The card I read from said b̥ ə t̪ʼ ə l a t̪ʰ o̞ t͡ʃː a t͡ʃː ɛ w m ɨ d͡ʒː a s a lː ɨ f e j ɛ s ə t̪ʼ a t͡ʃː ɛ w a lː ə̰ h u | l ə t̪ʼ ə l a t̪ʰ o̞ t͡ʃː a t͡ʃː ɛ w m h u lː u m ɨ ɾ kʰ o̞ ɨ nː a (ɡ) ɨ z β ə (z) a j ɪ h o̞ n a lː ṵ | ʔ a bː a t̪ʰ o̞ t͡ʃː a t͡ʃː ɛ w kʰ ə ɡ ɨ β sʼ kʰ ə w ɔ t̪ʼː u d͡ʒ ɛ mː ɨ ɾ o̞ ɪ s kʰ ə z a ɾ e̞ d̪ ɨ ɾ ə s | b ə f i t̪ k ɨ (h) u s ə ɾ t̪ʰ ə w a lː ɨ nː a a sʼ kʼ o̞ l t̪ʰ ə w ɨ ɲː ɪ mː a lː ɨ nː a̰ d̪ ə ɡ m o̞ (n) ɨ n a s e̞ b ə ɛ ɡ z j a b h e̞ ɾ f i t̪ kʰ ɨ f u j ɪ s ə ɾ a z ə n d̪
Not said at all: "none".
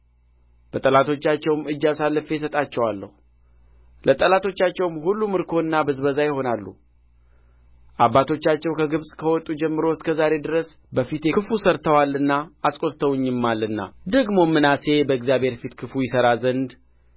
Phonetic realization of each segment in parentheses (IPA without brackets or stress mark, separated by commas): b, z, f, m